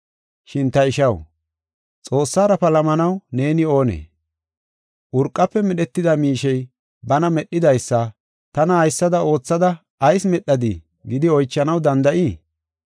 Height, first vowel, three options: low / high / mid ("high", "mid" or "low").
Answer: high